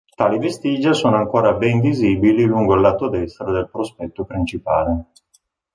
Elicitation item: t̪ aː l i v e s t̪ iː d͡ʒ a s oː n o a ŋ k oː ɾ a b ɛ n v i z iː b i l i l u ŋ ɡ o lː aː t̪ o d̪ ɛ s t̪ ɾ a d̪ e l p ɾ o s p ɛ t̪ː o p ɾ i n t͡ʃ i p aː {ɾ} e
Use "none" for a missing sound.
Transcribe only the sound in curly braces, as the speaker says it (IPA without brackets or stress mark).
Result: l